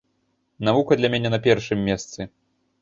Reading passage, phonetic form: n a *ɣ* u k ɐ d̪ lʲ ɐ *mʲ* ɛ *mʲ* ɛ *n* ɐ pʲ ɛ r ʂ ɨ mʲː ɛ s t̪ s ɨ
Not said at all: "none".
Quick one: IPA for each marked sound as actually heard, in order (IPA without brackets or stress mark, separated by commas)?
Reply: v, mʲ, nʲ, n